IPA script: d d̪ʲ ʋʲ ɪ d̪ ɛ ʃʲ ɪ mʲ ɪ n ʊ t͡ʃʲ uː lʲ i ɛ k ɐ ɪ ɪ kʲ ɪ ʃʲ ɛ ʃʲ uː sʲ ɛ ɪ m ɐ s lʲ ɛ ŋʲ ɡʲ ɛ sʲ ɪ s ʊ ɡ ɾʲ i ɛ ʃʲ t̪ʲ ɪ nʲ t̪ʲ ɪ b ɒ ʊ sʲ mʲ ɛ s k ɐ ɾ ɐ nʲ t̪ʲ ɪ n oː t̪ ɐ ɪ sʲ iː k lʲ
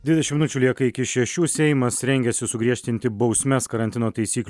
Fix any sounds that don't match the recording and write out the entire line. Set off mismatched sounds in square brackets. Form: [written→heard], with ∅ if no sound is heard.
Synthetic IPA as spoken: d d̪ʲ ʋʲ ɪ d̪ ɛ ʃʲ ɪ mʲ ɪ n ʊ t͡ʃʲ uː lʲ i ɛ k ɐ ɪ ɪ kʲ ɪ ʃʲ ɛ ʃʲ uː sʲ ɛ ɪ m ɐ s [lʲ→ɾʲ] ɛ ŋʲ ɡʲ ɛ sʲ ɪ s ʊ ɡ ɾʲ i ɛ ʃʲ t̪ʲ ɪ nʲ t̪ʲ ɪ b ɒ ʊ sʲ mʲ ɛ s k ɐ ɾ ɐ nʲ t̪ʲ ɪ n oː t̪ ɐ ɪ sʲ iː k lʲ